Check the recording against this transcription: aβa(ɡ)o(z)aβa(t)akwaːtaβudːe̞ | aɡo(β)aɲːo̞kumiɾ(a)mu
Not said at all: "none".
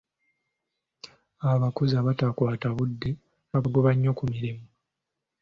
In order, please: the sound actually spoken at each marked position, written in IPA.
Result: k, z, t, β, i

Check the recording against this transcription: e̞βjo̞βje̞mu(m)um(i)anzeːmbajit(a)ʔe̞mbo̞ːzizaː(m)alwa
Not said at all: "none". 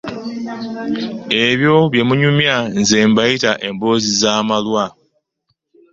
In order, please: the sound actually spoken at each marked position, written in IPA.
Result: ɲ, j, a, m

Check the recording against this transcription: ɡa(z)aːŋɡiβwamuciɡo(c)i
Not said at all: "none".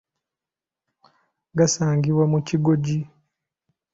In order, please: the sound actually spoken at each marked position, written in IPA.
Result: s, ɟ

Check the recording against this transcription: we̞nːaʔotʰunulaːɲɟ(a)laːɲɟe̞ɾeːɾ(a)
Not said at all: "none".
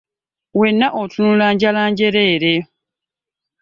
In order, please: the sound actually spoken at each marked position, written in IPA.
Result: a, e

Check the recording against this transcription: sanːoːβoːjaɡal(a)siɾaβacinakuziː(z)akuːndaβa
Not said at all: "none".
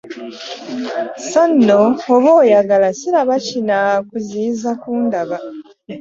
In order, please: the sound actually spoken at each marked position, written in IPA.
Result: a, z

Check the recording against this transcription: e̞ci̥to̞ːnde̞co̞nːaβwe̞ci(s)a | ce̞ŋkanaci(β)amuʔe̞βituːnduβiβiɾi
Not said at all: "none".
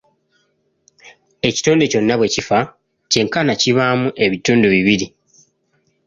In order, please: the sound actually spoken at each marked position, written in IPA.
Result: f, β

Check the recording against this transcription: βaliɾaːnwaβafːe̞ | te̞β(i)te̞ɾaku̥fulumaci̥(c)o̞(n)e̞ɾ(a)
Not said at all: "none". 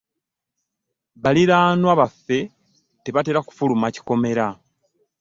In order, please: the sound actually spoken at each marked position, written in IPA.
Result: a, k, m, a

